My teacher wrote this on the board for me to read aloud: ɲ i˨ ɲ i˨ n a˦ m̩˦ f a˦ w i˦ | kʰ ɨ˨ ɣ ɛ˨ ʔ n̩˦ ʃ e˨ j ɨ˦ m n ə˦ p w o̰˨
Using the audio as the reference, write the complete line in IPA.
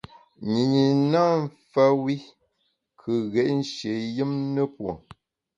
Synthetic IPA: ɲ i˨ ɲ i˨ n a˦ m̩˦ f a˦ w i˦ | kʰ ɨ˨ ɣ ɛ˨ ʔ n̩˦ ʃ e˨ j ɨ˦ m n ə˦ p w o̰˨